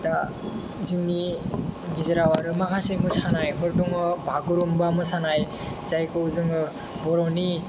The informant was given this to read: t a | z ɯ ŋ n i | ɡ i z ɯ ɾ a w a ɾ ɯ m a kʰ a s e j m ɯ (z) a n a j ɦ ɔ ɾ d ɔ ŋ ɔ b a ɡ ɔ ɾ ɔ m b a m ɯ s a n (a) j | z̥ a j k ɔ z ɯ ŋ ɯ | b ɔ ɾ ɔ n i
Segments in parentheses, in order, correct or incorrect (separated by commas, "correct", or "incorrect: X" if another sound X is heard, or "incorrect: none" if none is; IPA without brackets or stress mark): incorrect: s, correct